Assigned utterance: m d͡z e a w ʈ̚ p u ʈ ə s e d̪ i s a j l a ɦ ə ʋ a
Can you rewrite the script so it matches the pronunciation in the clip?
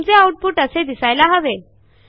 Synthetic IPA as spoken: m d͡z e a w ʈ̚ p u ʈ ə s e d̪ i s a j l a ɦ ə ʋ e